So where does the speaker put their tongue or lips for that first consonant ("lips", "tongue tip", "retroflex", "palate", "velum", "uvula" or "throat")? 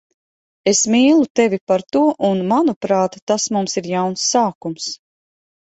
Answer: tongue tip